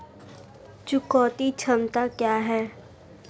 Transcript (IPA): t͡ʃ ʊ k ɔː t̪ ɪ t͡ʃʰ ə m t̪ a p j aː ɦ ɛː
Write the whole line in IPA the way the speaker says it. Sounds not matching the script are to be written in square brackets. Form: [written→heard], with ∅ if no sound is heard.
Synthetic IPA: t͡ʃ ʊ k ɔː t̪ [ɪ→i] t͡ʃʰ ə m t̪ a [p→k] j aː ɦ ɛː